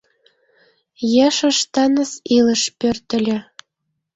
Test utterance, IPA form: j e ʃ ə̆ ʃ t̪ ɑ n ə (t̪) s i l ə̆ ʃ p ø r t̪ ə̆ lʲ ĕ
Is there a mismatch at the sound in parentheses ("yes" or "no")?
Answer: yes